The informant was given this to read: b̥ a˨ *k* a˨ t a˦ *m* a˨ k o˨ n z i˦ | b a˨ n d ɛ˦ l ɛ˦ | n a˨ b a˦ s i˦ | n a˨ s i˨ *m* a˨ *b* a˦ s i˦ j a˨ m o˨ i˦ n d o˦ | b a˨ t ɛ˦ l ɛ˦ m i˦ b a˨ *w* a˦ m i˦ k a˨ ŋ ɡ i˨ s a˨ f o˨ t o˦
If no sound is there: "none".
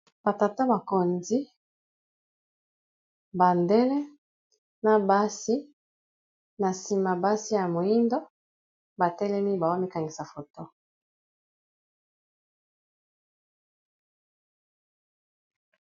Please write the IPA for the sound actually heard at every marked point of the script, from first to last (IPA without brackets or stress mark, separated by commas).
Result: t, b, m, b, w